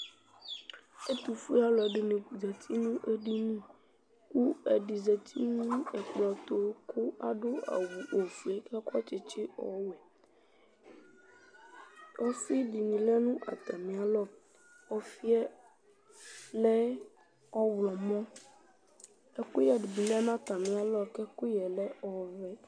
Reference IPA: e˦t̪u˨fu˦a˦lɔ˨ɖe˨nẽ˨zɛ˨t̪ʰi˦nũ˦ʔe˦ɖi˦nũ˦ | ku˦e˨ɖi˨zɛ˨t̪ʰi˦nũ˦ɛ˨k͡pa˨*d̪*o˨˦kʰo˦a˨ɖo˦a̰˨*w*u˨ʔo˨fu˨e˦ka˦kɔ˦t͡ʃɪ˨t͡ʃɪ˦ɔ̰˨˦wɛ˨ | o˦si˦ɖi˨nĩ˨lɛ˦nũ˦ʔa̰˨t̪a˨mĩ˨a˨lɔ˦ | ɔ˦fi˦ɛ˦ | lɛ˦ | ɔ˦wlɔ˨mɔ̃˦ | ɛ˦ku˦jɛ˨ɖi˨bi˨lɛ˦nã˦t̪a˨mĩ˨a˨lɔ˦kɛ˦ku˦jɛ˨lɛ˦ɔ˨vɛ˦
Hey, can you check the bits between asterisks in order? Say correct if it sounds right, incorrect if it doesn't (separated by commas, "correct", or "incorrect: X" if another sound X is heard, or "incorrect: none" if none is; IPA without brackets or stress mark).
incorrect: t̪, correct